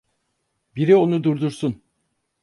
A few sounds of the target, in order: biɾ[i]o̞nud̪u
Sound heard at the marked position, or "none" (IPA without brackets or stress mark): i